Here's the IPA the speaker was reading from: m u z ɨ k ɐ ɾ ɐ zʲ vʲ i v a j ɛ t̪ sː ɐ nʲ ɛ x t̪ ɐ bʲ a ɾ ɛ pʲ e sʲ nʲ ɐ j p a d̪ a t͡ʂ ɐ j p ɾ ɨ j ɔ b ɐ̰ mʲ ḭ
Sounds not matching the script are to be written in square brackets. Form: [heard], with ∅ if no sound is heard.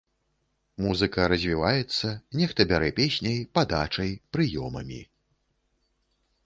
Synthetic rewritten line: m u z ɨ k ɐ ɾ ɐ zʲ vʲ i v a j ɛ t̪ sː ɐ nʲ ɛ x t̪ ɐ bʲ a ɾ ɛ pʲ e sʲ nʲ ɐ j p a d̪ a t͡ʂ ɐ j p ɾ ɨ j ɔ [m] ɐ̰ mʲ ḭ